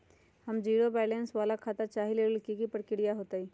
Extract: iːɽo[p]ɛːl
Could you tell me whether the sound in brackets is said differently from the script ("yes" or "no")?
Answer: yes